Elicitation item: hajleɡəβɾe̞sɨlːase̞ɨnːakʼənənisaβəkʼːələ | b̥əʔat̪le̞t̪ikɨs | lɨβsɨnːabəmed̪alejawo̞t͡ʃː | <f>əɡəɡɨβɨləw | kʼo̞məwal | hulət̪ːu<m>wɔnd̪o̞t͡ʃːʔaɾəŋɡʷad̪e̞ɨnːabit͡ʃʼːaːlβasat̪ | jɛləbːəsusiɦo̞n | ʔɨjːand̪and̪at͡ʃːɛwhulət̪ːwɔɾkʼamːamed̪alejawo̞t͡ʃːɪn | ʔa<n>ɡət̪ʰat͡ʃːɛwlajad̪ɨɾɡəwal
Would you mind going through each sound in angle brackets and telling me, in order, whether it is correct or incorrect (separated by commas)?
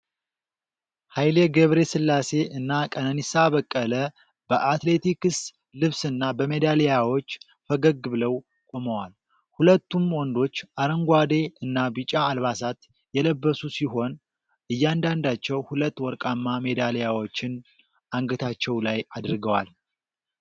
correct, correct, incorrect